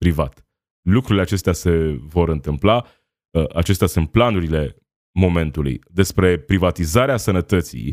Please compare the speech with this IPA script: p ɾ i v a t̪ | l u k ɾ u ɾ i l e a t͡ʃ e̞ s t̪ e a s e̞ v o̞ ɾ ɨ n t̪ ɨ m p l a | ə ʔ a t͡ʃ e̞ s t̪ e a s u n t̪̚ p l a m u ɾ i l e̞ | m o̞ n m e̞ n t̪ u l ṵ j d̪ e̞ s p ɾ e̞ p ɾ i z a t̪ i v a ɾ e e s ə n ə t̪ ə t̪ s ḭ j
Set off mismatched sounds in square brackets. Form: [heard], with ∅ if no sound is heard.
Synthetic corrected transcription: p ɾ i v a t̪ | l u k ɾ u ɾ i l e a t͡ʃ e̞ s t̪ e a s e̞ v o̞ ɾ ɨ n t̪ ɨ m p l a | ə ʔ a t͡ʃ e̞ s t̪ e a s u n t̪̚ p l a [n] u ɾ i l e̞ | m o̞ [∅] m e̞ n t̪ u l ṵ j d̪ e̞ s p ɾ e̞ p ɾ i [v] a t̪ i [z] a ɾ e [a] s ə n ə t̪ ə t̪ s ḭ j